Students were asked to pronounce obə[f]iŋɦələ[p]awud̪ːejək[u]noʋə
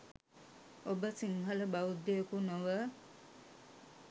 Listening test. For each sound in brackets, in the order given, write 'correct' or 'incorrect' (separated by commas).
incorrect, incorrect, correct